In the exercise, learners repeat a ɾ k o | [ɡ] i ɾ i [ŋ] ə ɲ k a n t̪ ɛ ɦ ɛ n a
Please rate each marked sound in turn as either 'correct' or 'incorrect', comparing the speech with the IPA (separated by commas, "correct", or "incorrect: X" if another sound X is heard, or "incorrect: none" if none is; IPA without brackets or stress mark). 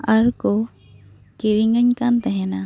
incorrect: k, correct